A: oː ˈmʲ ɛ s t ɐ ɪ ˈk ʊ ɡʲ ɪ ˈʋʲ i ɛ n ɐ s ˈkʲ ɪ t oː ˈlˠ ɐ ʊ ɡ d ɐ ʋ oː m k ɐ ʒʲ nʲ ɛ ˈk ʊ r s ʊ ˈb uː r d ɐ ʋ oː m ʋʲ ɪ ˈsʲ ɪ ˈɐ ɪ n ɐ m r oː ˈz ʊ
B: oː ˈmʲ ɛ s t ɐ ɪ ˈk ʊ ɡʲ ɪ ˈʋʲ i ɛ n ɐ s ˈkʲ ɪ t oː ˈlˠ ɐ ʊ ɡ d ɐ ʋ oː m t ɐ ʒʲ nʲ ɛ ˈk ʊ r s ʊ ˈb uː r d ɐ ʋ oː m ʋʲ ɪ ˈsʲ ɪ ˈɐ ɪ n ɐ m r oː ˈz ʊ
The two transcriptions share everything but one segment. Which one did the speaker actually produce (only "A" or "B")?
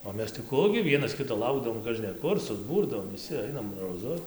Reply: A